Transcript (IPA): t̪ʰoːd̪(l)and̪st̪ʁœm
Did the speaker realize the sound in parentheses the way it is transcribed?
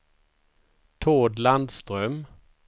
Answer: yes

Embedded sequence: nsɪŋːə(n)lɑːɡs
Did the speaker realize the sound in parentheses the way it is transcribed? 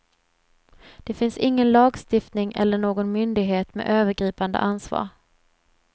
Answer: yes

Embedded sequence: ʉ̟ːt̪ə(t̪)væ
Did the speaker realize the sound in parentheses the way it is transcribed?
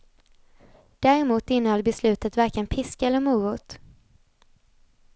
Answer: yes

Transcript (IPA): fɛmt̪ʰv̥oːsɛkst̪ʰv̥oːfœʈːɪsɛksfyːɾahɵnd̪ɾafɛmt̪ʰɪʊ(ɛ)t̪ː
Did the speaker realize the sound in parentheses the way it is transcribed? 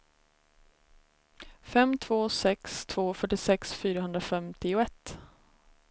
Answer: yes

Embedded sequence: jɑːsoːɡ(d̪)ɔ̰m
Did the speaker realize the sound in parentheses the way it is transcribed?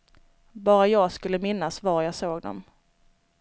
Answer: yes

